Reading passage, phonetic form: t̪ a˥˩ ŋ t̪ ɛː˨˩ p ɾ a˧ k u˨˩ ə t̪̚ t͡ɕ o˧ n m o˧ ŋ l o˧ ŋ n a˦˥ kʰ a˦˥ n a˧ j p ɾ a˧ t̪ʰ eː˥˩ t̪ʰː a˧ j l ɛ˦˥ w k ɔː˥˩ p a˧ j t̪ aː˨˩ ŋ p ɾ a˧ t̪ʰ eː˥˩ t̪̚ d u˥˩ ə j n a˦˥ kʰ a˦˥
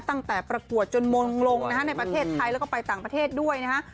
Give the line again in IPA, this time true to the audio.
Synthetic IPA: t̪ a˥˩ ŋ t̪ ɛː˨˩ p ɾ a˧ k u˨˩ ə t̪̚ t͡ɕ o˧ n m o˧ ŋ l o˧ ŋ n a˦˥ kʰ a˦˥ n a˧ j p ɾ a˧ t̪ʰ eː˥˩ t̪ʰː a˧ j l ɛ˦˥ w k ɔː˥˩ p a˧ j t̪ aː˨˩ ŋ p ɾ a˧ t̪ʰ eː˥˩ t̪̚ d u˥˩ ə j n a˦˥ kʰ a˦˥